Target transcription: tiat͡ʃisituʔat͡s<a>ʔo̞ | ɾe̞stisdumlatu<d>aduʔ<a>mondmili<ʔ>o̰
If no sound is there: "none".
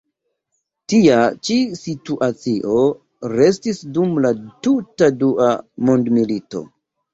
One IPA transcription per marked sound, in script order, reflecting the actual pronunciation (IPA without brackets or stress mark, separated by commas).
i, t, a, t